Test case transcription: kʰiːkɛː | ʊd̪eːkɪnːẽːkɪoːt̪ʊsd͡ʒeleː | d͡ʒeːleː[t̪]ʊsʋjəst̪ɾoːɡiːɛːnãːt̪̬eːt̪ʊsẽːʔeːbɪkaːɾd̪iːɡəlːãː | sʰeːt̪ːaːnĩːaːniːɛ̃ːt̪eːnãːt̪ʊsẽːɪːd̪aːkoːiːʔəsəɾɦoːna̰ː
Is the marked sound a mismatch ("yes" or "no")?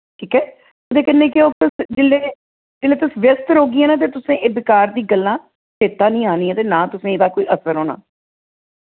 no